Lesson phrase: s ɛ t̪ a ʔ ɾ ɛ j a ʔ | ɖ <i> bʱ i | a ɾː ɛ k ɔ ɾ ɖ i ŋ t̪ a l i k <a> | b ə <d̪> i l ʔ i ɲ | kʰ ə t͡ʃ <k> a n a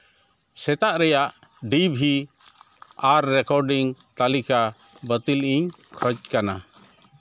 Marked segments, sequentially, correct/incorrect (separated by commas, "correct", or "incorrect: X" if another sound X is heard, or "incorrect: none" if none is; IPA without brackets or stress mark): correct, correct, incorrect: t̪, correct